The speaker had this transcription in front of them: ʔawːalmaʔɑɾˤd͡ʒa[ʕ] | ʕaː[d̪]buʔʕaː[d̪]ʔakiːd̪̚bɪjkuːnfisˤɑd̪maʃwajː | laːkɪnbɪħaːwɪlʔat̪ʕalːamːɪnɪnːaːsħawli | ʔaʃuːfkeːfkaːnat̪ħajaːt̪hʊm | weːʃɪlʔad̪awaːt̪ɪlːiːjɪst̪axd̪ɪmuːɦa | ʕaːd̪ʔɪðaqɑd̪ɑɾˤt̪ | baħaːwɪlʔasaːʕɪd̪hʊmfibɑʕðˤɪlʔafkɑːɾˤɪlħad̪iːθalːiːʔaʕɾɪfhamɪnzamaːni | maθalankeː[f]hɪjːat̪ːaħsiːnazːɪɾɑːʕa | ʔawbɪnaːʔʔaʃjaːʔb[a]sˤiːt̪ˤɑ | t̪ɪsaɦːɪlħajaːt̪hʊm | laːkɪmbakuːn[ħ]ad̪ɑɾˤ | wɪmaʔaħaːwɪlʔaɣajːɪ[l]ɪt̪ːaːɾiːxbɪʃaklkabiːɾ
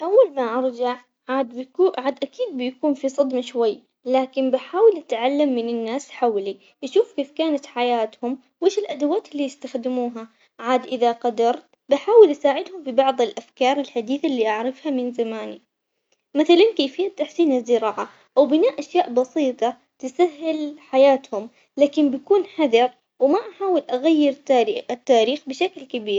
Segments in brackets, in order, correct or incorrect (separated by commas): correct, correct, correct, correct, incorrect, correct, incorrect